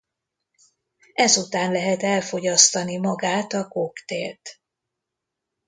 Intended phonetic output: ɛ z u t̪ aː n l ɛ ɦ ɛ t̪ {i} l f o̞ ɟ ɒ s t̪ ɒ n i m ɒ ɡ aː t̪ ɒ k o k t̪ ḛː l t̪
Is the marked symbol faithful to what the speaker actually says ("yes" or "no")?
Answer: no